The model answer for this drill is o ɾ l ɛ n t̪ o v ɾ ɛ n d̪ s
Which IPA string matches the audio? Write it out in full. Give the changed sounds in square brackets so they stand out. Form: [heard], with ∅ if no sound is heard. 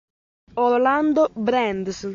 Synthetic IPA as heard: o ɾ l [a] n [d̪] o [b] ɾ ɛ n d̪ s